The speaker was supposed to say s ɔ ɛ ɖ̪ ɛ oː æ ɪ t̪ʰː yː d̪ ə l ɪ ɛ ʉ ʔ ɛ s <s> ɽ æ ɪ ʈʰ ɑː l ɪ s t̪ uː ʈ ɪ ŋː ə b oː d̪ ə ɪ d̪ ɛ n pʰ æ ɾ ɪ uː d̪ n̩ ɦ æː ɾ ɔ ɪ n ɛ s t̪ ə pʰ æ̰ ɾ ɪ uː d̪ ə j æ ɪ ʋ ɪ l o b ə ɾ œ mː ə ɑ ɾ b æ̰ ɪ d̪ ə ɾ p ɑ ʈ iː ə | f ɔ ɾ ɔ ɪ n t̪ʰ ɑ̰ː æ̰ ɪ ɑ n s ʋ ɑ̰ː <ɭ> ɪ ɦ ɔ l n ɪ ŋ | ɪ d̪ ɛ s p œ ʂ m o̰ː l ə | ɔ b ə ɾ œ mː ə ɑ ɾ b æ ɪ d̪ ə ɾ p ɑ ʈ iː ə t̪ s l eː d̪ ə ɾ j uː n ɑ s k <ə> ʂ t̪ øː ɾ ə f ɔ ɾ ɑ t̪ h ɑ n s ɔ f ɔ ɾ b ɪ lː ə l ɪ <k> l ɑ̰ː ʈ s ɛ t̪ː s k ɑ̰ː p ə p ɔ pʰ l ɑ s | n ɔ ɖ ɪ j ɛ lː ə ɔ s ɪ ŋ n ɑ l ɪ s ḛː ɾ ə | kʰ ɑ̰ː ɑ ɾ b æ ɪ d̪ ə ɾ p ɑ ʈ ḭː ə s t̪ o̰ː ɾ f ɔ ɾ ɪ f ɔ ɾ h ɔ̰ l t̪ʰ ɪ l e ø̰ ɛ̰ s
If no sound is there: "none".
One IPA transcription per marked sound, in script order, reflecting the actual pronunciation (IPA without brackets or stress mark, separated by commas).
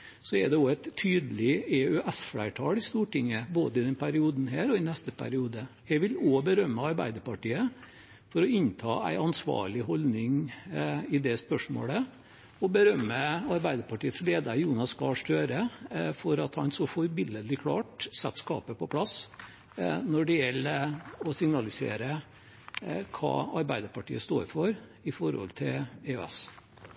f, ɭ, ɑ, kʰ